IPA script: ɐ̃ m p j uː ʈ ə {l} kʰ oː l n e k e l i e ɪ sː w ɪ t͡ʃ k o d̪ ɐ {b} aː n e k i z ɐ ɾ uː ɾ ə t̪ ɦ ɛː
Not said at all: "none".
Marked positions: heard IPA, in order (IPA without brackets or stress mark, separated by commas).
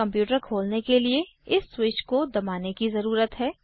ɾ, m